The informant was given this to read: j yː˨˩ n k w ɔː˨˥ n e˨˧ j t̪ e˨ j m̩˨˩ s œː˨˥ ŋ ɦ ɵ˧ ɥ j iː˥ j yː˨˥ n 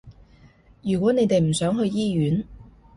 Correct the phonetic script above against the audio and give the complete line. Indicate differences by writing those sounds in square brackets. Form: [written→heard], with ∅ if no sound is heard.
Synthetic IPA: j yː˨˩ [n→∅] k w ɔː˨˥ n e˨˧ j t̪ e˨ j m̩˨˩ s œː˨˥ ŋ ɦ ɵ˧ ɥ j iː˥ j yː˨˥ n